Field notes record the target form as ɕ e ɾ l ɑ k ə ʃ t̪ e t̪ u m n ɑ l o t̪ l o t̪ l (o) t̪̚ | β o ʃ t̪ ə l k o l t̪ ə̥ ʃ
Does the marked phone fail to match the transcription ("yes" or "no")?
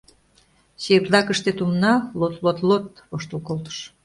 no